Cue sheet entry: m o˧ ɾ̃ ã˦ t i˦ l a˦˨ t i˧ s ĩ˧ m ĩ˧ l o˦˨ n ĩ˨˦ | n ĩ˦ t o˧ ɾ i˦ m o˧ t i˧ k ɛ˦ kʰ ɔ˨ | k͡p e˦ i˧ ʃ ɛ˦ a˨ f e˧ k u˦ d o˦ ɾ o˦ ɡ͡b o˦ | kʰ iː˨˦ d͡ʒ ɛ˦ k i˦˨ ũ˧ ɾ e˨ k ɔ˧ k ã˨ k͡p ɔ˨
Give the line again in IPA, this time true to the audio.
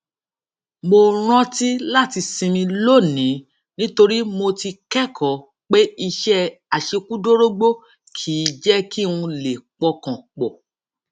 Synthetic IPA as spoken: m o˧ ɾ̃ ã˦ t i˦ l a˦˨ t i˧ s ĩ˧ m ĩ˧ l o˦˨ n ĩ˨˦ | n ĩ˦ t o˧ ɾ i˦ m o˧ t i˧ k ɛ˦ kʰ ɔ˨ | k͡p e˦ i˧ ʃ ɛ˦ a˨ ʃ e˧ k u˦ d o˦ ɾ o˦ ɡ͡b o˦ | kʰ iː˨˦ d͡ʒ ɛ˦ k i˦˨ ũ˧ l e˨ k͡p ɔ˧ k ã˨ k͡p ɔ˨